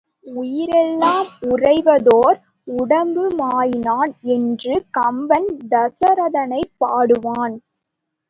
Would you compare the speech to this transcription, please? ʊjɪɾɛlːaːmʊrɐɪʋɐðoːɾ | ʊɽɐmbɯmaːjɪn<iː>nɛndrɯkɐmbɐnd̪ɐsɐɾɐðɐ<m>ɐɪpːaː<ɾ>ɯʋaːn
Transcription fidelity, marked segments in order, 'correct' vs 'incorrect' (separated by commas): incorrect, incorrect, incorrect